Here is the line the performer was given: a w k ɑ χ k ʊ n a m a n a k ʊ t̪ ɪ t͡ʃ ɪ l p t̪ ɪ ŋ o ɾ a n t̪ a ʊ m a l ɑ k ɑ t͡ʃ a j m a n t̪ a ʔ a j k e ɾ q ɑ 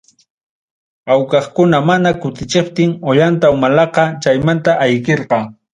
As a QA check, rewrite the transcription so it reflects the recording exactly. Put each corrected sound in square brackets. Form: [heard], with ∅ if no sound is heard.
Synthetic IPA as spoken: a w k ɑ χ k ʊ n a m a n a k ʊ t̪ ɪ t͡ʃ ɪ [∅] p t̪ ɪ ŋ o [ʎ] a n t̪ a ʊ m a l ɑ [q] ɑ t͡ʃ a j m a n t̪ a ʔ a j k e ɾ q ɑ